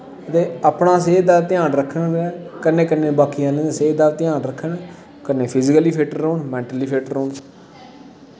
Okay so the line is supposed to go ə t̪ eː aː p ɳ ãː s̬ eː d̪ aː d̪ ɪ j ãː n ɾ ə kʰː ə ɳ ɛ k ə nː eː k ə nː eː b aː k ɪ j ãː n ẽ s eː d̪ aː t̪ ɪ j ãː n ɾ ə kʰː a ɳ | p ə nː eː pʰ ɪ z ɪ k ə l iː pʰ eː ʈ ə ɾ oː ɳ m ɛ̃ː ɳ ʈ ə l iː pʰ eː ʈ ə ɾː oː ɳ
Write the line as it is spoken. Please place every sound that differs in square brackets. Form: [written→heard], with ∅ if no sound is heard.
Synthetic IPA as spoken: ə t̪ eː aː p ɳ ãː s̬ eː d̪ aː [d̪→t̪] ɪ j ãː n ɾ ə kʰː ə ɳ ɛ k ə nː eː k ə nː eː b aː k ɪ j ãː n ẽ s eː d̪ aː t̪ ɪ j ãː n ɾ ə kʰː [a→ə] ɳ | [p→k] ə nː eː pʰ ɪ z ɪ k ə l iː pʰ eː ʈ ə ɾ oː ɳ m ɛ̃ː ɳ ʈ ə l iː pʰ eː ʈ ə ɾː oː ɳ